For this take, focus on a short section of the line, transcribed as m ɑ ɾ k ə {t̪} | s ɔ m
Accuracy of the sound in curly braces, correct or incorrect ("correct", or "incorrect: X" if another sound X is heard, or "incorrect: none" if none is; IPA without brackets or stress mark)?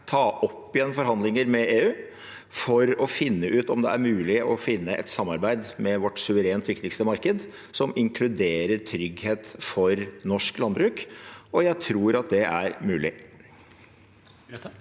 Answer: incorrect: d̪